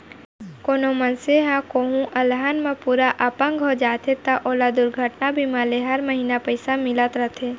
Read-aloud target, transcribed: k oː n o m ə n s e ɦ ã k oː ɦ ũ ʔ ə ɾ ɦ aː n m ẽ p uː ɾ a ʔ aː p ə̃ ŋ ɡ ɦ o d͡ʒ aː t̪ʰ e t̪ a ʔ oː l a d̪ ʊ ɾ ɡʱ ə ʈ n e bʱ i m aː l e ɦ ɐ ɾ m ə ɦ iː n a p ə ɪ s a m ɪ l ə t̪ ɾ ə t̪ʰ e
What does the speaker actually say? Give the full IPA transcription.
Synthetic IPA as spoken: k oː n o m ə n s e ɦ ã k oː ɦ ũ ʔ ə l ɦ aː n m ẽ p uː ɾ a ʔ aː p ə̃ ŋ ɡ ɦ o d͡ʒ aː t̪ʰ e t̪ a ʔ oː l a d̪ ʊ ɾ ɡʱ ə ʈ n a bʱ i m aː l e ɦ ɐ ɾ m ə ɦ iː n a p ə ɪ s a m ɪ l ə t̪ ɾ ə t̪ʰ e